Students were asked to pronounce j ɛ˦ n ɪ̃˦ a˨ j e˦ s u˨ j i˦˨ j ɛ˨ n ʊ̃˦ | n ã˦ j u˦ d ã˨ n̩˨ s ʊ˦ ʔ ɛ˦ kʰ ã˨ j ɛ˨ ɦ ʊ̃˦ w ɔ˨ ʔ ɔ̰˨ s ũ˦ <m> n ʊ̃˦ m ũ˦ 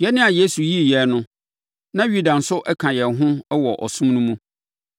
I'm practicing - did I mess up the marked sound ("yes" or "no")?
no